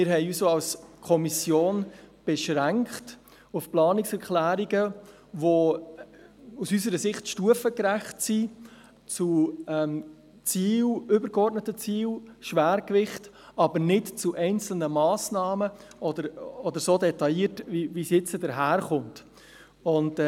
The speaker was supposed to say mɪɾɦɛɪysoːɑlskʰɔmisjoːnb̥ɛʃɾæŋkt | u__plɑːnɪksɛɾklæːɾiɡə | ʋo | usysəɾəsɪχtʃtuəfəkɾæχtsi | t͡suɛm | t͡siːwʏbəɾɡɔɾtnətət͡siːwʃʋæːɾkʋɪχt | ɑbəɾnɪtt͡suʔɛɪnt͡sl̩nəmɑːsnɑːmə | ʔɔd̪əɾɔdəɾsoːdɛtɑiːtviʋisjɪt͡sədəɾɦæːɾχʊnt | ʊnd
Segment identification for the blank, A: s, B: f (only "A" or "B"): B